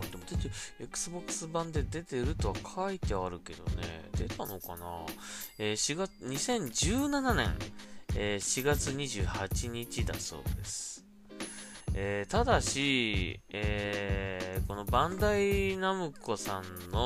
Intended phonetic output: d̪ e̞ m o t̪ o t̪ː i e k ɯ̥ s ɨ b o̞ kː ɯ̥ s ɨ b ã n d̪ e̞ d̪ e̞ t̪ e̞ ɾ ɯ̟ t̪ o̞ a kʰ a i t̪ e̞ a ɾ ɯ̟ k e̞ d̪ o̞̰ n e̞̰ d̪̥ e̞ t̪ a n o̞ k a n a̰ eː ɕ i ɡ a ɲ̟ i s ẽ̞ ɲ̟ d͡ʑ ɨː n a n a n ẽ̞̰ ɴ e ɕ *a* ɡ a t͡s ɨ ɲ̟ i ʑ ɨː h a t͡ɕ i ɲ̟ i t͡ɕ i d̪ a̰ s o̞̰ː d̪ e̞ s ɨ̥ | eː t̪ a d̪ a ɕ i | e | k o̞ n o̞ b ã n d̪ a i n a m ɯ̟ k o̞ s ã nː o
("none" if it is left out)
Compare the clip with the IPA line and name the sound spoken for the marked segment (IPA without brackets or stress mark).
i